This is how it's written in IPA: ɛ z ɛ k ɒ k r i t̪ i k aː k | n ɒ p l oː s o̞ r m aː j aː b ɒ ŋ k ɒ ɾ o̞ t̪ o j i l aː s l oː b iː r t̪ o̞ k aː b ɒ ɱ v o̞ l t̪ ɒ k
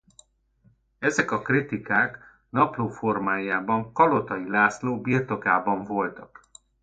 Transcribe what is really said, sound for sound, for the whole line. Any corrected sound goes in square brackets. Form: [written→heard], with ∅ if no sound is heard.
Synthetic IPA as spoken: ɛ z ɛ k ɒ k r i t̪ i k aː k | n ɒ p l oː [s→f] o̞ r m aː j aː b ɒ ŋ k ɒ [ɾ→l] o̞ t̪ [o→ɒ] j i l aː s l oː b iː r t̪ o̞ k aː b ɒ ɱ v o̞ l t̪ ɒ k